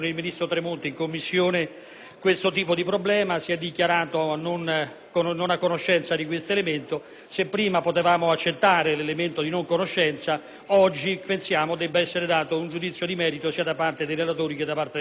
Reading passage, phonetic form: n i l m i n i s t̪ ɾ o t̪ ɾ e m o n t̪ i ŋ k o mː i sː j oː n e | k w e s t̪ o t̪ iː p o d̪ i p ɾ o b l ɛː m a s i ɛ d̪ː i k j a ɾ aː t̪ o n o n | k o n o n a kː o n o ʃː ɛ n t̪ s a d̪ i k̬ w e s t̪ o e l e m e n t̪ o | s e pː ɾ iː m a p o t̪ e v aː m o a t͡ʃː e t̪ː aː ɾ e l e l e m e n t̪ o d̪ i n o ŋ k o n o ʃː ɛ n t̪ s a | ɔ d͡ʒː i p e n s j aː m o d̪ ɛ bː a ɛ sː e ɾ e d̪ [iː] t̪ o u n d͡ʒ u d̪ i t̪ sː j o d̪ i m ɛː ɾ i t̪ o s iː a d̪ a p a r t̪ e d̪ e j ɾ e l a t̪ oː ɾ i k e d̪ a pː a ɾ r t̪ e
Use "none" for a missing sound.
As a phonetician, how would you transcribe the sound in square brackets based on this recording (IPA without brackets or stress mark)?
aː